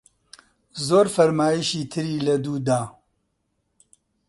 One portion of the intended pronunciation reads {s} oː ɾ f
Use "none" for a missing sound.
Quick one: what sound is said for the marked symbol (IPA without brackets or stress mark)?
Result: z